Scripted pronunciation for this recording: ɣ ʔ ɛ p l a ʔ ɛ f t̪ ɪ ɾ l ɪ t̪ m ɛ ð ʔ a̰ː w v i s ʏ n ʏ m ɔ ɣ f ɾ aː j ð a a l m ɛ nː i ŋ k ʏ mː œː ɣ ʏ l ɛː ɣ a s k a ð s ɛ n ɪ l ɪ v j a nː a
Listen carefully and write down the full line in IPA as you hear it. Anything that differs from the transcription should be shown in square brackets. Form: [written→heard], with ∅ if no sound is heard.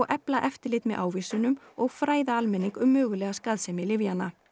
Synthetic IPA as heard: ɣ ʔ ɛ p l a ʔ ɛ f t̪ ɪ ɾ l ɪ t̪ m ɛ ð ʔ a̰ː w v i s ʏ n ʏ m ɔ ɣ f ɾ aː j ð a a l m ɛ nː i ŋ k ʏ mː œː ɣ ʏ l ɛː ɣ a s k a ð s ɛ [n→m] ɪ l ɪ v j a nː a